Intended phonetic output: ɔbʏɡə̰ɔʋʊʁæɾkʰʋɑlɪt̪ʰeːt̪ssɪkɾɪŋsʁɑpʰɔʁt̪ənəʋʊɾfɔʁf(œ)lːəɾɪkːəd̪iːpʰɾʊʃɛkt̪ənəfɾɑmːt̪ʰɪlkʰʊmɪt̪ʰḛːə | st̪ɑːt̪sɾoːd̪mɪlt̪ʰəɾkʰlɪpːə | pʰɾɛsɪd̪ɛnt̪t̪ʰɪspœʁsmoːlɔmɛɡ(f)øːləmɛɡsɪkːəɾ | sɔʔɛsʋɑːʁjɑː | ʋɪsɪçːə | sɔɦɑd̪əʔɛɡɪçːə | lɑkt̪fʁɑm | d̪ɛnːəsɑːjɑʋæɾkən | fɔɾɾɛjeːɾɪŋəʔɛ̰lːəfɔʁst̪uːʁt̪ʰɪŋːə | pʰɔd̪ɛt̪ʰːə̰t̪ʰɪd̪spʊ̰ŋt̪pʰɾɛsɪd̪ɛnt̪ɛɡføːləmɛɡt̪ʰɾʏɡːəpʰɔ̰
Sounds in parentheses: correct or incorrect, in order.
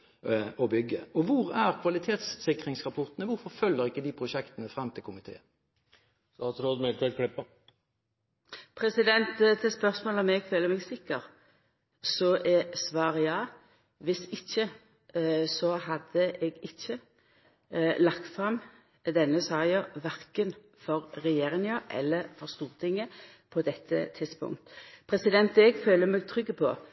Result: correct, correct

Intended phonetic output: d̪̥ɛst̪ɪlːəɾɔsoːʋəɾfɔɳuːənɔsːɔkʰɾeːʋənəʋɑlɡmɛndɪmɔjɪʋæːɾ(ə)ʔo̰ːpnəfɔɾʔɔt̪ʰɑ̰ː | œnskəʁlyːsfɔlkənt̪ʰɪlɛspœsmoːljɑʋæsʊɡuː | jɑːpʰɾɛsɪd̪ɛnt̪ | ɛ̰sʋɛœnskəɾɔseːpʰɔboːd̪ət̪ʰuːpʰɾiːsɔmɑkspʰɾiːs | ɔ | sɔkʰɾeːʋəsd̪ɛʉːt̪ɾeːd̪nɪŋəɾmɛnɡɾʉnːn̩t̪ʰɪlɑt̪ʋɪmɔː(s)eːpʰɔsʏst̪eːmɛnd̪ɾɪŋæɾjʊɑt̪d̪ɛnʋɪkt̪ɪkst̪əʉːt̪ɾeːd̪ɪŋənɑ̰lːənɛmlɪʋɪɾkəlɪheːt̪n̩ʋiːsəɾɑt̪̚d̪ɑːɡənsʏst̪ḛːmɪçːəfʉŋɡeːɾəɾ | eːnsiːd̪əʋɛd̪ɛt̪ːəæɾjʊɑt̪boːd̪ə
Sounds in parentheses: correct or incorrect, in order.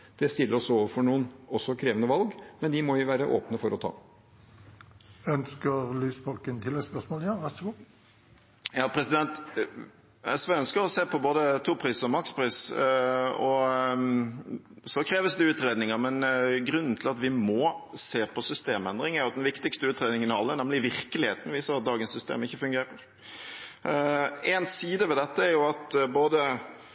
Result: correct, correct

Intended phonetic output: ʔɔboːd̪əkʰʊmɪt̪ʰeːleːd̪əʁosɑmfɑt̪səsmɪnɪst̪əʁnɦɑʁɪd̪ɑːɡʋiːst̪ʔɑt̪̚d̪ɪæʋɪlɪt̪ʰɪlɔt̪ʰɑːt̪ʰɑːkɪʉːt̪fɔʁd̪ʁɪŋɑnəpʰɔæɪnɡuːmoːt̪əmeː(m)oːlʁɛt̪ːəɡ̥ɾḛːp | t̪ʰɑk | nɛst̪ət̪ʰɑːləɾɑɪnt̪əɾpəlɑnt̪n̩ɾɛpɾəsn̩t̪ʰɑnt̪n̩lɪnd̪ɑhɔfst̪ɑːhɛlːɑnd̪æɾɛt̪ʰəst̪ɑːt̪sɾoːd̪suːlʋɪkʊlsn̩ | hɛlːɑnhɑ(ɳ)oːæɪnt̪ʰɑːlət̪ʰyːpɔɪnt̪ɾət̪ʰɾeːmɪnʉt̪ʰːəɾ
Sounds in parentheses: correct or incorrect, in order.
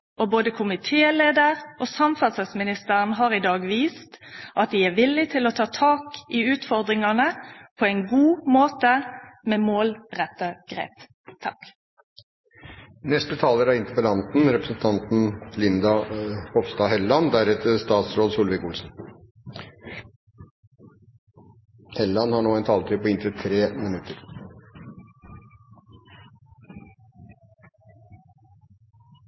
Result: correct, correct

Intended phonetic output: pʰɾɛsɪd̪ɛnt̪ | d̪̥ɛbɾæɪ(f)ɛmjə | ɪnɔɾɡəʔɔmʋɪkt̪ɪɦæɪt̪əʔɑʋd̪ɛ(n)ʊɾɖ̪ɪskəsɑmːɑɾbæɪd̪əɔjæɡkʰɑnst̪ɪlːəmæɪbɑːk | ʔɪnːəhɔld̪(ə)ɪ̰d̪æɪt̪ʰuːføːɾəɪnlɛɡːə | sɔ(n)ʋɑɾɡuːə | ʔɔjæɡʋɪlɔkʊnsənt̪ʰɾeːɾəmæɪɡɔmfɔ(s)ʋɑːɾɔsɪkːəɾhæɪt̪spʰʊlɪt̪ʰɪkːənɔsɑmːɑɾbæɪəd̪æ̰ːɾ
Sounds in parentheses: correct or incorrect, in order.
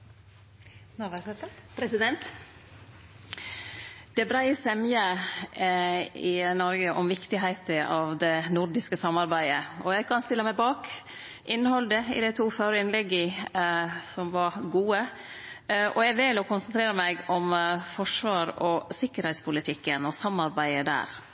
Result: incorrect, correct, correct, incorrect, incorrect

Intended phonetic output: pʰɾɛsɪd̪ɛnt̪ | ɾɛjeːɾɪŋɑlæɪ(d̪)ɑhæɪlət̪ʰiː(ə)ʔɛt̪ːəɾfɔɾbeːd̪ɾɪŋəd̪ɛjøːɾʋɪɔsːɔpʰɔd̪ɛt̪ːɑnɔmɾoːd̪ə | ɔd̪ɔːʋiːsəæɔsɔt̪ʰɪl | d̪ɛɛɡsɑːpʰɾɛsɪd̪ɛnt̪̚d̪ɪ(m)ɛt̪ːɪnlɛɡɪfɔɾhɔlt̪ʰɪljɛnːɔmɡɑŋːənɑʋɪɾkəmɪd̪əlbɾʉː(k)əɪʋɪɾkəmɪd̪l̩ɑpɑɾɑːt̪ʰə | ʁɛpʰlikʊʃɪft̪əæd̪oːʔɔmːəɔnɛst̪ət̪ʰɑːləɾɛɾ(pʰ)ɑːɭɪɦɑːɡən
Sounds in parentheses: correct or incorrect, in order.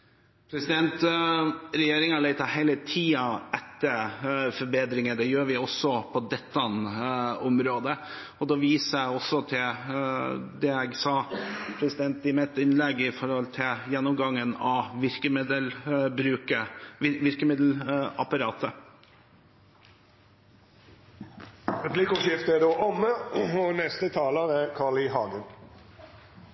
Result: incorrect, incorrect, correct, correct, incorrect

